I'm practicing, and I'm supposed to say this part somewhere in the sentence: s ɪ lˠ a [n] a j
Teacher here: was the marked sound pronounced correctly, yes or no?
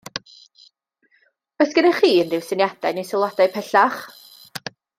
no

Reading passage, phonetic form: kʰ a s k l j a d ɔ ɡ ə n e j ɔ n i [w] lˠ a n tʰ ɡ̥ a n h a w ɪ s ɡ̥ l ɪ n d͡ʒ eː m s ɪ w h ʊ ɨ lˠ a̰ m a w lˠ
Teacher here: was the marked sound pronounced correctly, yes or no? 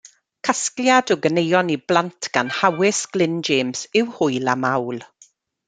no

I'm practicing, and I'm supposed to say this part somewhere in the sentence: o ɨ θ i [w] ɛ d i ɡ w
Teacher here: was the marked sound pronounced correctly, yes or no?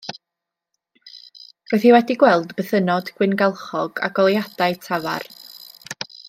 yes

